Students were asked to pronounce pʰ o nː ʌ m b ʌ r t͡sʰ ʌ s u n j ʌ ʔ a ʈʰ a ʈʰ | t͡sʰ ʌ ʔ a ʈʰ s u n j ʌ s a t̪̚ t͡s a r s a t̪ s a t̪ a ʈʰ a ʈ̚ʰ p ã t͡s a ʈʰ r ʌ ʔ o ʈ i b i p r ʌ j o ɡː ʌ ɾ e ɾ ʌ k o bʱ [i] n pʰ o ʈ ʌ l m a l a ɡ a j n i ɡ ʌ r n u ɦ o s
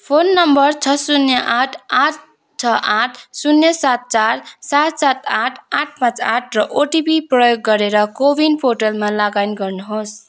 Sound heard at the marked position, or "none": i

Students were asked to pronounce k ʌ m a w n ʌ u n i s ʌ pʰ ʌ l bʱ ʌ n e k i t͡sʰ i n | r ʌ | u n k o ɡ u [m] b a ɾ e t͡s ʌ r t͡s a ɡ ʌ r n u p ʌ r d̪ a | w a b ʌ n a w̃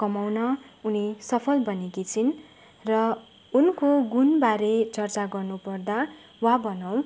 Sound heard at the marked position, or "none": n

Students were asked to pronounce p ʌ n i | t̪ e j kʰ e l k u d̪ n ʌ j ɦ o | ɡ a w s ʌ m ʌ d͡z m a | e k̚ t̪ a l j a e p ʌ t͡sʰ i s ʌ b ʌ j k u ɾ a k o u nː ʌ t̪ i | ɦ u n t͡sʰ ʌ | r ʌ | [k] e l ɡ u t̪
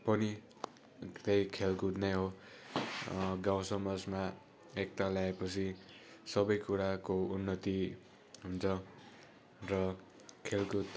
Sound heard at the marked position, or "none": kʰ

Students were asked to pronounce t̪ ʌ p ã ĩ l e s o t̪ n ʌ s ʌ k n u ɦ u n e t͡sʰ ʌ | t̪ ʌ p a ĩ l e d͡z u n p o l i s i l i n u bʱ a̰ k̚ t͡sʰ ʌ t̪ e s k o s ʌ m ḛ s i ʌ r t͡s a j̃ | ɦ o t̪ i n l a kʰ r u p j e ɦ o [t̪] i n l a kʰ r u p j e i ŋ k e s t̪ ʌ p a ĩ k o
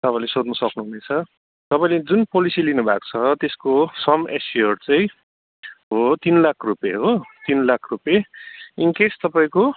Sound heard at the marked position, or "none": t̪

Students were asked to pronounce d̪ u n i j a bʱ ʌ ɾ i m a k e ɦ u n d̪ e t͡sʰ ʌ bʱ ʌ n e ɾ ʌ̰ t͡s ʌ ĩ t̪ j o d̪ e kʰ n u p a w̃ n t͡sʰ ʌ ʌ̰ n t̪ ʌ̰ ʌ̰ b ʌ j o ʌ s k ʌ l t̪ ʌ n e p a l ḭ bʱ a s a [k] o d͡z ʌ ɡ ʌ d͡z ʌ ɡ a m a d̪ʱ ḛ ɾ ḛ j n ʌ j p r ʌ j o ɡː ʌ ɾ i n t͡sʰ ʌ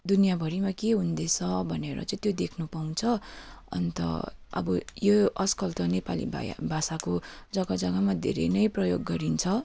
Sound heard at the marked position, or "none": k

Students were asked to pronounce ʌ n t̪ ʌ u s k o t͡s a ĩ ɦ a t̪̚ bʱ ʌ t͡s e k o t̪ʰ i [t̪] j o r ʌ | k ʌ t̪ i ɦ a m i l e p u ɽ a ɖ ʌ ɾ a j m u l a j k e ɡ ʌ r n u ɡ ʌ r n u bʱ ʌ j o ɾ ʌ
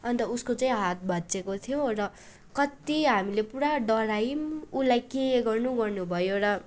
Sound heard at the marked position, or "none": none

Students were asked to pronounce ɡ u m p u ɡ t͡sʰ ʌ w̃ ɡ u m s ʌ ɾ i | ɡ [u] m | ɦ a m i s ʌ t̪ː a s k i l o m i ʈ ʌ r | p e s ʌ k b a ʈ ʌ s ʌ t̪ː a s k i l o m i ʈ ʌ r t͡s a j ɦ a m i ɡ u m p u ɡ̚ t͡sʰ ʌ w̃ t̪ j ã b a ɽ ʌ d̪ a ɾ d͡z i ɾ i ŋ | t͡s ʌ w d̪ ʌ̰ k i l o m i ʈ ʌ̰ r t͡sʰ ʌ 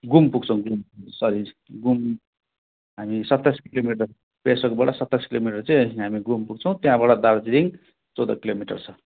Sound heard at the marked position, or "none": u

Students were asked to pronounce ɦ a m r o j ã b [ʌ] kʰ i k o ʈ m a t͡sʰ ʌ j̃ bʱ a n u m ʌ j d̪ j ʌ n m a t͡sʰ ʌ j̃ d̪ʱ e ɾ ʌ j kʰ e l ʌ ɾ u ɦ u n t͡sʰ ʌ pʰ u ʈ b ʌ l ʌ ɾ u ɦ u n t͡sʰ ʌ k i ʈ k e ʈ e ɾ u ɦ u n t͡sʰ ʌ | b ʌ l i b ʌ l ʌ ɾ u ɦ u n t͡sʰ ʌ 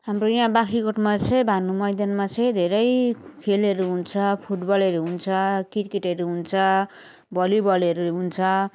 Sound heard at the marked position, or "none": a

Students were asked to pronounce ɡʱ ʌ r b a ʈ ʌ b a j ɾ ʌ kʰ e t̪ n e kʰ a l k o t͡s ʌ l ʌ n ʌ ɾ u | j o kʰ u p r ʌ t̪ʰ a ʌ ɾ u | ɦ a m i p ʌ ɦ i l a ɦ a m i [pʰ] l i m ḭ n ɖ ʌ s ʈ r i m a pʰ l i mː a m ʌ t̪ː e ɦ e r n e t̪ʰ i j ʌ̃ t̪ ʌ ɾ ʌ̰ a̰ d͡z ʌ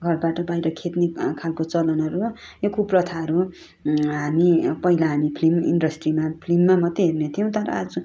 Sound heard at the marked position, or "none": pʰ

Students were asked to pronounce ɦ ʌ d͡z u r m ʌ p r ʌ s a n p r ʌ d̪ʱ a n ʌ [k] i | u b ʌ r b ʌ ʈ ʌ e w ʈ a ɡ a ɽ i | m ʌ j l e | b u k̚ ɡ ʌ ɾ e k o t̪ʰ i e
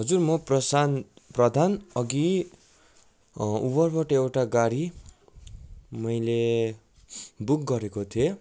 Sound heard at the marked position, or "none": ɡ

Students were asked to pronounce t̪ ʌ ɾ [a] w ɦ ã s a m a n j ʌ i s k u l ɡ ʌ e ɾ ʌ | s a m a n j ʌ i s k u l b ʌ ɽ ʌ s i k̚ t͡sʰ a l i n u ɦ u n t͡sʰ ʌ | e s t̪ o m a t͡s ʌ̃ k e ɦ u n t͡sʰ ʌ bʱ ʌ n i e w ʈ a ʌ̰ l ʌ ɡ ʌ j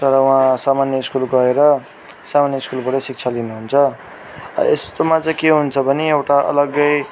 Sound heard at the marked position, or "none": ʌ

